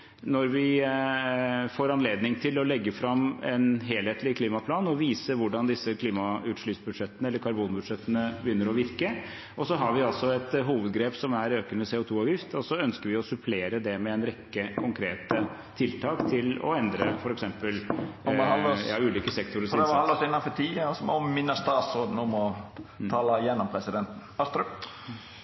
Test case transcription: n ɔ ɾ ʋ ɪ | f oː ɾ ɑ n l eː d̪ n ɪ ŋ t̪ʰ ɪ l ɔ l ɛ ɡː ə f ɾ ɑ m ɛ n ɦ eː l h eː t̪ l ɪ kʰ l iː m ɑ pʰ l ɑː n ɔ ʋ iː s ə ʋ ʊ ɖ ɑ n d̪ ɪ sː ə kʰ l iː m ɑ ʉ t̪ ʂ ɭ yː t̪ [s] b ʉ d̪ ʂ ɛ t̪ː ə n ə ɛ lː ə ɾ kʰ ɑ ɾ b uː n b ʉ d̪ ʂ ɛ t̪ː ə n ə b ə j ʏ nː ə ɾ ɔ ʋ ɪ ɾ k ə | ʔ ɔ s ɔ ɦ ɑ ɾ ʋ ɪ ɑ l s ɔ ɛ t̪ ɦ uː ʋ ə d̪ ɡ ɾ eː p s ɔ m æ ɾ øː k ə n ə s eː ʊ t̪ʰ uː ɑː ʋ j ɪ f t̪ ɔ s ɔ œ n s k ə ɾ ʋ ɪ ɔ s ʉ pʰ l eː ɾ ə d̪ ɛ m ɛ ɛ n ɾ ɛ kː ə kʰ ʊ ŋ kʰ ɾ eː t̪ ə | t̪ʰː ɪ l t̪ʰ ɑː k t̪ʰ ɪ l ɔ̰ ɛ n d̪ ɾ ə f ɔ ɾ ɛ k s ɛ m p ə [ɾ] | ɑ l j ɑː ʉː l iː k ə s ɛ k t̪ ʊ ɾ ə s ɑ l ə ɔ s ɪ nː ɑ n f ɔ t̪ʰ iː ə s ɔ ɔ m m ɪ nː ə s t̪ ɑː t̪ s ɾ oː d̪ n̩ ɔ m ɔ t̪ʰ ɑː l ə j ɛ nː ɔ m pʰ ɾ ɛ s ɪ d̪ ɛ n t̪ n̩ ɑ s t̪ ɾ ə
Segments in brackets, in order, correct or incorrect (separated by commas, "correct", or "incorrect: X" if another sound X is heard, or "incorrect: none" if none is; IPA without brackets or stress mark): correct, incorrect: l